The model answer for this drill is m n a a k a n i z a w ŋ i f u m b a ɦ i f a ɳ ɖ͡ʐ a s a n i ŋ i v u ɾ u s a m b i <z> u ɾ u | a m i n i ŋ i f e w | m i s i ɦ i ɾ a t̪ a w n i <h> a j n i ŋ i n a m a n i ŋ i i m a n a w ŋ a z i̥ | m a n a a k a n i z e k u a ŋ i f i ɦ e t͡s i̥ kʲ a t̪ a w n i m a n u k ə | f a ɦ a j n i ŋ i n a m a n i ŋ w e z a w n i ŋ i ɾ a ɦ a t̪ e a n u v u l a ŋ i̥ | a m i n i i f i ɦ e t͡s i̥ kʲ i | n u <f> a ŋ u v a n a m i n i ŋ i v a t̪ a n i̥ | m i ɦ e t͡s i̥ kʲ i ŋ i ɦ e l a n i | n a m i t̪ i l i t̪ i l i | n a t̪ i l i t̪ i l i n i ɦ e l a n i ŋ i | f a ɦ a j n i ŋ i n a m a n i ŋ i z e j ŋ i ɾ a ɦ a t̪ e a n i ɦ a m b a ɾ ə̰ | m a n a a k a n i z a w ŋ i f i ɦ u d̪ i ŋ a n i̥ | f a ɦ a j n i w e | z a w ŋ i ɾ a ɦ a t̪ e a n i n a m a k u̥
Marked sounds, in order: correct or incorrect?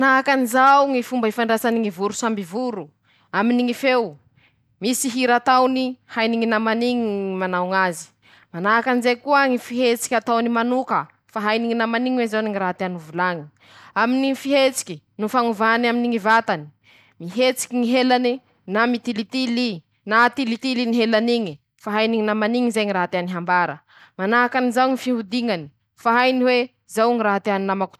incorrect, correct, correct

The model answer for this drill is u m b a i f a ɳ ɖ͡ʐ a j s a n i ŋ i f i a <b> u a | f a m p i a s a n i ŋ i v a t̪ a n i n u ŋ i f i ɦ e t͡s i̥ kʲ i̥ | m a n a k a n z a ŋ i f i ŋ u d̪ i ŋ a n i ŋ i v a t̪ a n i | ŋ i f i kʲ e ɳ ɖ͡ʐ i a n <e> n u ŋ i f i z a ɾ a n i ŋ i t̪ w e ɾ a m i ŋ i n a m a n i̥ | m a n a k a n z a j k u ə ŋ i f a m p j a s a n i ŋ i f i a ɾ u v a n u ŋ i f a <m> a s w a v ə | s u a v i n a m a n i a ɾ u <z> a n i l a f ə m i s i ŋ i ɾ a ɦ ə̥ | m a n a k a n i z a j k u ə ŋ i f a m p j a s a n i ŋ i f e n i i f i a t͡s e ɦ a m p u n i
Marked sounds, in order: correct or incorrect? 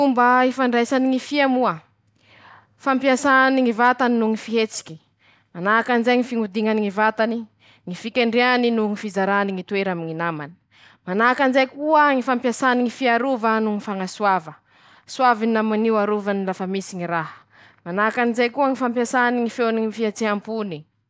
incorrect, incorrect, incorrect, incorrect

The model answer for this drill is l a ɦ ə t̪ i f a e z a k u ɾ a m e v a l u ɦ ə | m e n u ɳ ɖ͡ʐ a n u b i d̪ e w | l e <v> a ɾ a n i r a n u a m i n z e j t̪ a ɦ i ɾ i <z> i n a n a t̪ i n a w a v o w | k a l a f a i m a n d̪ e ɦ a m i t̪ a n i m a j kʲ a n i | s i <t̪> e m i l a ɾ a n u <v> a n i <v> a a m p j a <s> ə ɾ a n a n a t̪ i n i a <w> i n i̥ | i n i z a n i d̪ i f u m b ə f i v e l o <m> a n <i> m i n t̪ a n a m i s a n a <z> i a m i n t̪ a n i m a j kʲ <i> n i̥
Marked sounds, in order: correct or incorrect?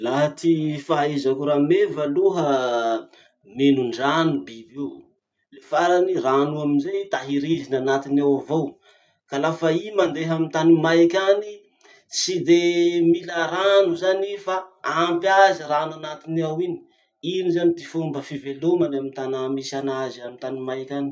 incorrect, correct, incorrect, incorrect, incorrect, incorrect, correct, correct, incorrect, correct, incorrect

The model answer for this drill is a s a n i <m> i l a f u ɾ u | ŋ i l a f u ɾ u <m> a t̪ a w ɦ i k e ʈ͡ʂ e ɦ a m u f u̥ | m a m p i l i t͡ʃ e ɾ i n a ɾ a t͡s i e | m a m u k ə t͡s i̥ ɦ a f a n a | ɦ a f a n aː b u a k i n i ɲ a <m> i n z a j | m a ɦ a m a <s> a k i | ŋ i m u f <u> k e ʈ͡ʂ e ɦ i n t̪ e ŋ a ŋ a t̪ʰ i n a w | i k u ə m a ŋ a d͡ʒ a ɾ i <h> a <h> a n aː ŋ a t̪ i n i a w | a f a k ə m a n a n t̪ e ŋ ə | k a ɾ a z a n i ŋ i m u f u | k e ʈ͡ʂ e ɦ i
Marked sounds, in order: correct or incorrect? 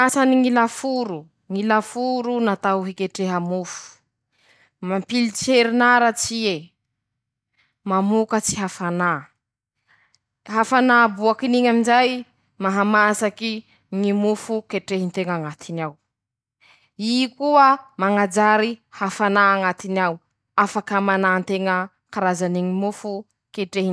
incorrect, incorrect, correct, correct, correct, correct, incorrect

